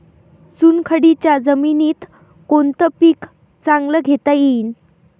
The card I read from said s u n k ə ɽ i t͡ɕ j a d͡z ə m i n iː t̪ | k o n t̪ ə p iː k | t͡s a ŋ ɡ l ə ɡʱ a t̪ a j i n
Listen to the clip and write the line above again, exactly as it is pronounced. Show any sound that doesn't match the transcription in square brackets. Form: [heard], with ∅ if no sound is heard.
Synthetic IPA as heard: s u n [kʰ] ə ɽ i t͡ɕ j a d͡z ə m i n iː t̪ | k o n t̪ ə p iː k | t͡s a ŋ ɡ l ə ɡʱ [e] t̪ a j i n